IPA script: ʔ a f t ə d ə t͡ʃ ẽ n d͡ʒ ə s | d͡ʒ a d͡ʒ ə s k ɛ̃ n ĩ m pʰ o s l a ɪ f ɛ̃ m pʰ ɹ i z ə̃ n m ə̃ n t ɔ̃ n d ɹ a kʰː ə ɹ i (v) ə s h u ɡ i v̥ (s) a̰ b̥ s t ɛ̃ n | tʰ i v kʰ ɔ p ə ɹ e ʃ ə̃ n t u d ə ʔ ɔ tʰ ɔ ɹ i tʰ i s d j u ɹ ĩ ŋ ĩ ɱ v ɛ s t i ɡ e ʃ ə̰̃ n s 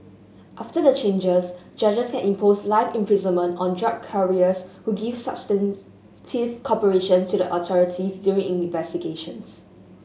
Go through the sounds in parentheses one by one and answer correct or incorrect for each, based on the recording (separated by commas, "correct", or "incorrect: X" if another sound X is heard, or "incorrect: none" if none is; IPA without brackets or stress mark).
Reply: incorrect: none, correct